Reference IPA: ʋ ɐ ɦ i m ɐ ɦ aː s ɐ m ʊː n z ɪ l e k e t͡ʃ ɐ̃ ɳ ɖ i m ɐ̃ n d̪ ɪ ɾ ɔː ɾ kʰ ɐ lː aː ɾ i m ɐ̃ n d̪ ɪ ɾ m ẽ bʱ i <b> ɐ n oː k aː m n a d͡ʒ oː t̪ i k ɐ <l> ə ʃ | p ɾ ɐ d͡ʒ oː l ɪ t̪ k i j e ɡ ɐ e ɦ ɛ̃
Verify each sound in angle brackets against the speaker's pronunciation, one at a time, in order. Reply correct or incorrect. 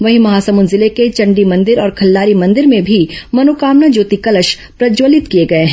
incorrect: m, correct

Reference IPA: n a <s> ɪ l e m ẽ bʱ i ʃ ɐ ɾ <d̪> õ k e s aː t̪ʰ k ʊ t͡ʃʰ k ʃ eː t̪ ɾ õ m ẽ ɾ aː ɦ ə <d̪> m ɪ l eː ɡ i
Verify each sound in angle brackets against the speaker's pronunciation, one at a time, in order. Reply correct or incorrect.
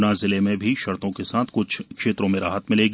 incorrect: z, incorrect: t̪, incorrect: t̪

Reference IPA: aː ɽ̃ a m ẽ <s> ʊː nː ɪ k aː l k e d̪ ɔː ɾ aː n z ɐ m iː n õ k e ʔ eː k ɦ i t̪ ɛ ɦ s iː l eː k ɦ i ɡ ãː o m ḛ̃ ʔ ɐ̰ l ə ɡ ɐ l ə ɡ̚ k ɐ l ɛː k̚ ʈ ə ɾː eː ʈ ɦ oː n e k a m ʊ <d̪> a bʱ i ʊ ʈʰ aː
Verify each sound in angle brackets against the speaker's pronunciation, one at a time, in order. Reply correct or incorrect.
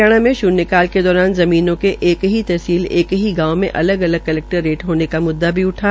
incorrect: ʃ, incorrect: d̪ː

